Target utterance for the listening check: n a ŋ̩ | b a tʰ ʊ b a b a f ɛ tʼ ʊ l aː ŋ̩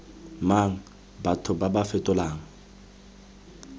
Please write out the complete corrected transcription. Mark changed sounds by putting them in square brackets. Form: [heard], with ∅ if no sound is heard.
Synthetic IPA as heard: [m] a ŋ̩ | b a tʰ ʊ b a b a f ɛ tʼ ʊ l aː ŋ̩